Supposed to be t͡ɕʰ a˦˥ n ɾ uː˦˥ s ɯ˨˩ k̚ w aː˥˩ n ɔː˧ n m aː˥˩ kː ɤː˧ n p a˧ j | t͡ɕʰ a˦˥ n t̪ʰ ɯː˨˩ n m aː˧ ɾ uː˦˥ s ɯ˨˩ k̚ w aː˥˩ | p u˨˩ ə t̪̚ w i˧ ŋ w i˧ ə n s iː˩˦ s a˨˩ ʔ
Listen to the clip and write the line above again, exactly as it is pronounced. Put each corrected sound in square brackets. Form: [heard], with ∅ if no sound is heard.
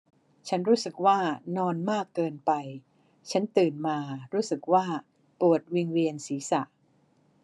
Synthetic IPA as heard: t͡ɕʰ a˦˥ n ɾ uː˦˥ s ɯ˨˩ k̚ w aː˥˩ n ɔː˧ n m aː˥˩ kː ɤː˧ n p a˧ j | t͡ɕʰ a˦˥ n [t̪] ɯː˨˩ n m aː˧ ɾ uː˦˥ s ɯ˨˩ k̚ w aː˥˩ | p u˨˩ ə t̪̚ w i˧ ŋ w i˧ ə n s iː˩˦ s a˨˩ ʔ